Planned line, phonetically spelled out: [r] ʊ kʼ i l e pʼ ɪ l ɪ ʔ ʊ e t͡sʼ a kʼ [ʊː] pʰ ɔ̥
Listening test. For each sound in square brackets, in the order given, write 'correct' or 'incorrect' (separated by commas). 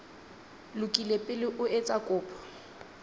incorrect, correct